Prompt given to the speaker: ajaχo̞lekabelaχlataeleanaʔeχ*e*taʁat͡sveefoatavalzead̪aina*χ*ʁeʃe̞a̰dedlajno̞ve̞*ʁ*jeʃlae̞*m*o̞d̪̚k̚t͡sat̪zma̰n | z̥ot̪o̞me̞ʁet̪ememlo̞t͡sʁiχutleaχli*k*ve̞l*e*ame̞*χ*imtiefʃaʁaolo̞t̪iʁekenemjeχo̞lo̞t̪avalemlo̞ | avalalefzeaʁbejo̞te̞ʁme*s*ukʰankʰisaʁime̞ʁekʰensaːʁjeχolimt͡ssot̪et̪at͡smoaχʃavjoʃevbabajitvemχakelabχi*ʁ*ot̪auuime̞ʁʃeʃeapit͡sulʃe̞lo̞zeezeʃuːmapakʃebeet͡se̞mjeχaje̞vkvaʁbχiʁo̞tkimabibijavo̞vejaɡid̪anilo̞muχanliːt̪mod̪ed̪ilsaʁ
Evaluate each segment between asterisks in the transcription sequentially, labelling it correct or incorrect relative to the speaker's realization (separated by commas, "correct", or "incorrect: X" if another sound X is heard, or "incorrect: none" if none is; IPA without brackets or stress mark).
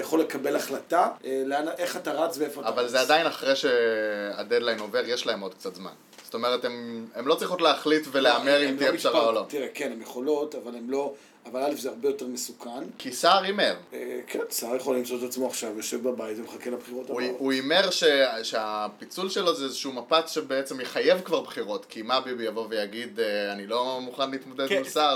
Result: incorrect: a, correct, correct, correct, incorrect: t, correct, incorrect: ʁ, correct, correct